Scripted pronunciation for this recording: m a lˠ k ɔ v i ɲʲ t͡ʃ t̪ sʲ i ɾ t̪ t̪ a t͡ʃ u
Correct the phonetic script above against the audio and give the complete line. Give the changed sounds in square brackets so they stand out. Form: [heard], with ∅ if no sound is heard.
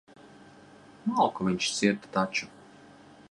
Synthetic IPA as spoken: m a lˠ k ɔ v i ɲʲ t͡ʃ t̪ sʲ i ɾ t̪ t̪ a t͡ʃ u